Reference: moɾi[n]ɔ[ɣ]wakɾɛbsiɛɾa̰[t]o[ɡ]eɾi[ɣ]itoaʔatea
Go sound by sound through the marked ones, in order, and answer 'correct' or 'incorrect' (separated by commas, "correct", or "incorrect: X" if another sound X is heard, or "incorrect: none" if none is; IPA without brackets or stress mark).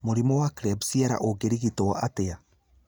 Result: incorrect: m, incorrect: none, incorrect: ʔ, correct, correct